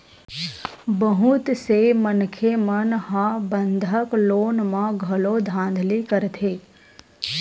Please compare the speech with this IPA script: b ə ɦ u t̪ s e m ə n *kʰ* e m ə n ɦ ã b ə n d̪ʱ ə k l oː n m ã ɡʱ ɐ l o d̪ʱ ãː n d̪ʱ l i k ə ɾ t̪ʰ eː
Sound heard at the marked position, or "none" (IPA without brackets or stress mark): kʰ